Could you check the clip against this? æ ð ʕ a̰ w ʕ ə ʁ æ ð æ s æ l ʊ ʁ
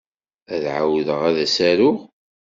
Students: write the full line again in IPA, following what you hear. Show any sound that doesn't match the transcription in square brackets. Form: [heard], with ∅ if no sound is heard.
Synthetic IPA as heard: æ ð ʕ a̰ w [ð] ə ʁ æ ð æ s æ [ɾ] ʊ ʁ